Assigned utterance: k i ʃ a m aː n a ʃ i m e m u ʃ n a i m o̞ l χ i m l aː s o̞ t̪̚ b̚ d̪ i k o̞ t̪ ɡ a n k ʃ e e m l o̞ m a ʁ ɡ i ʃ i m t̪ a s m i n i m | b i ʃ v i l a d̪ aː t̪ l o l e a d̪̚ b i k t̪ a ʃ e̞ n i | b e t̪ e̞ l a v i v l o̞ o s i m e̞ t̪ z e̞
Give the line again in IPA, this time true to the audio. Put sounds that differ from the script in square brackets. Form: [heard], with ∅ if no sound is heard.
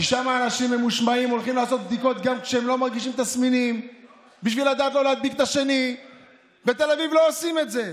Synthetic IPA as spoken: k i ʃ a m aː n a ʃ i m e m u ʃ [m] a i m o̞ l χ i m l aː s o̞ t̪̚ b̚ d̪ i k o̞ t̪ ɡ a [m] k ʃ e e m l o̞ m a ʁ ɡ i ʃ i m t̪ a s m i n i m | b i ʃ v i l a d̪ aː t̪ l o l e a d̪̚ b i k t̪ a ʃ e̞ n i | b e t̪ e̞ l a v i v l o̞ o s i m e̞ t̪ z e̞